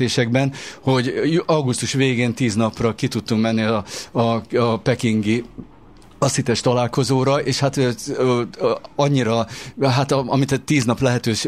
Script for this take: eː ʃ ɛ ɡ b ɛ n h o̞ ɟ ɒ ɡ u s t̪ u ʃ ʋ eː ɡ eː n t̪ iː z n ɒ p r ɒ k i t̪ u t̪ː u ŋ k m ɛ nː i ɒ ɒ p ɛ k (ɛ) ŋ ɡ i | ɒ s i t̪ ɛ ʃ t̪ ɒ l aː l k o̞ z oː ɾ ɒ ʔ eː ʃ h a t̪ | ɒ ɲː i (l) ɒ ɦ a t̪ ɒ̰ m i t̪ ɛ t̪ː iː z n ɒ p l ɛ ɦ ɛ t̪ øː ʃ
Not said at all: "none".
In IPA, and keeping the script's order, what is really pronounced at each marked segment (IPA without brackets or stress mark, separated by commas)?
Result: i, ɾ